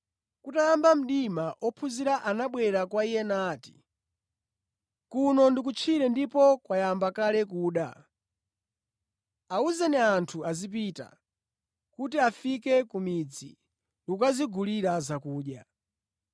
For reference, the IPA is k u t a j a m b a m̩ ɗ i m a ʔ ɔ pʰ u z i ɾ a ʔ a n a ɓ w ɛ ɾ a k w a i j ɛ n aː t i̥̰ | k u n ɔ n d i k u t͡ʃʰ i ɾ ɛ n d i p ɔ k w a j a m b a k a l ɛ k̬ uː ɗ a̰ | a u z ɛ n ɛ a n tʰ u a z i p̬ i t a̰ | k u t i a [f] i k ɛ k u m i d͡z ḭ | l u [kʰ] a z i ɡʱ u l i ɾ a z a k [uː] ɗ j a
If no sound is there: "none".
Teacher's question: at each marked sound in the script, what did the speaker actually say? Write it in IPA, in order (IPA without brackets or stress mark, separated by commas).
f, k, uː